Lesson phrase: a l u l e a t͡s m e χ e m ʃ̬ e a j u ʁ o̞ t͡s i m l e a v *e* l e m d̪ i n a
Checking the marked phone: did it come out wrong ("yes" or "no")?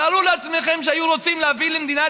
yes